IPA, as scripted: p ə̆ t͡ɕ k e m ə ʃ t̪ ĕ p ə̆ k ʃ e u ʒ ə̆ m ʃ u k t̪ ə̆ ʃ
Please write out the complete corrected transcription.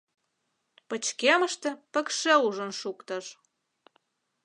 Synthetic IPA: p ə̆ t͡ɕ k e m ə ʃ t̪ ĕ p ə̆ k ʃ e u ʒ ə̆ n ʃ u k t̪ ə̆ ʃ